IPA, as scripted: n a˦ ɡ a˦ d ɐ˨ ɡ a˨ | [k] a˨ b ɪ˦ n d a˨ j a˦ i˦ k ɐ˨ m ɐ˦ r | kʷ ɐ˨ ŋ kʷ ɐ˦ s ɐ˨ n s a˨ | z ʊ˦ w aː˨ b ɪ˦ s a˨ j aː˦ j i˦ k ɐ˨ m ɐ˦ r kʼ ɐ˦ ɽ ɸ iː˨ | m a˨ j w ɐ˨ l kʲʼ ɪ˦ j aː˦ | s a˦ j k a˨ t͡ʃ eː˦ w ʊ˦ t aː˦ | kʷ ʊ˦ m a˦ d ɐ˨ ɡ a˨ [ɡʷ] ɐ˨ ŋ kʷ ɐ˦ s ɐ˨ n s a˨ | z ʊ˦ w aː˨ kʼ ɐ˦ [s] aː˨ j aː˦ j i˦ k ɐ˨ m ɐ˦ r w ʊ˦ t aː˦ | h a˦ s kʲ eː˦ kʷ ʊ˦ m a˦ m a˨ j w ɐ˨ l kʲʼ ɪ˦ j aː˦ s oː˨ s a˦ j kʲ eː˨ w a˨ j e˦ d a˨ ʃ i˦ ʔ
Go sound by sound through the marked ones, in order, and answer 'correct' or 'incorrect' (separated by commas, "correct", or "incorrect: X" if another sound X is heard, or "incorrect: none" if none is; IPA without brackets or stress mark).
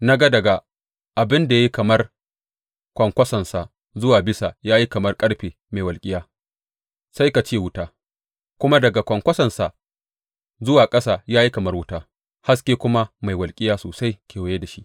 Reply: incorrect: ʔ, incorrect: kʷ, correct